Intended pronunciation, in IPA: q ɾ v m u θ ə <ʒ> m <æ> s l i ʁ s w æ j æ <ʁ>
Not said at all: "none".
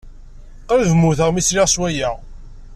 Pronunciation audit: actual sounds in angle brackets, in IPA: ʁ, i, ʁ

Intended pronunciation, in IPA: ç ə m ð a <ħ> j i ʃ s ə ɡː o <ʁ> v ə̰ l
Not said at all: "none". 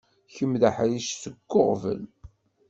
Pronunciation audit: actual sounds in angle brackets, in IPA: ħ, ʁ

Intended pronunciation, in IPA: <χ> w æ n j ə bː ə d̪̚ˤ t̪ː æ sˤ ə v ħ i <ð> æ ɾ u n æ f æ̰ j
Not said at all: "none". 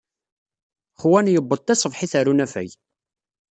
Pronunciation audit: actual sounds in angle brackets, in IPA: χ, θ

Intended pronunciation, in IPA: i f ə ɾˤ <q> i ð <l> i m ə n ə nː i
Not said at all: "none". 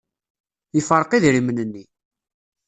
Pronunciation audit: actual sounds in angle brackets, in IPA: q, ɾ

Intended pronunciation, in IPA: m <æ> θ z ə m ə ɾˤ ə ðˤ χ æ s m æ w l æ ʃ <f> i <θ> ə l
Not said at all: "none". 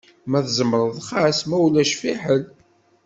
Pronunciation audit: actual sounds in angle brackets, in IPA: æ, f, ħ

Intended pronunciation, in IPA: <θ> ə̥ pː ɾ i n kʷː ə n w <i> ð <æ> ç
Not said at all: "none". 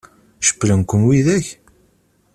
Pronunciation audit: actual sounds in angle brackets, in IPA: ʃ, i, æ

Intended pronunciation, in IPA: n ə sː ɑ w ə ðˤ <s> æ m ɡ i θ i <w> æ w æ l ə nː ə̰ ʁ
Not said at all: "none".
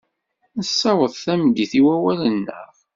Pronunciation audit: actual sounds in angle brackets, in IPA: θ, w

